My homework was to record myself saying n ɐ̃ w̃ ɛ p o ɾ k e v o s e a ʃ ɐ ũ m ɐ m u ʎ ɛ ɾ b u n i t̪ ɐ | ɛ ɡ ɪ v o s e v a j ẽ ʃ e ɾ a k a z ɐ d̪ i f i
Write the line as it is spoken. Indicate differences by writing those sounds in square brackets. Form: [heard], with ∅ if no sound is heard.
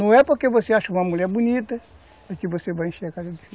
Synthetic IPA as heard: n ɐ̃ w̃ ɛ p o ɾ k e v o s e a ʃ ɐ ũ m ɐ m u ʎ ɛ ɾ b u n i t̪ ɐ | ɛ [k] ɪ v o s e v a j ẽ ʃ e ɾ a k a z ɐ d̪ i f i